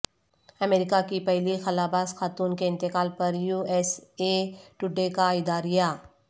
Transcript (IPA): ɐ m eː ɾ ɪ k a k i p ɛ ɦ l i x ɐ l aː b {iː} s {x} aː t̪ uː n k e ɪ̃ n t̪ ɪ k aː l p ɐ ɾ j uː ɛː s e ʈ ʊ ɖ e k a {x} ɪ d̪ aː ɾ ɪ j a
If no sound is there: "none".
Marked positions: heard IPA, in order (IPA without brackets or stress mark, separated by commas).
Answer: aː, x, none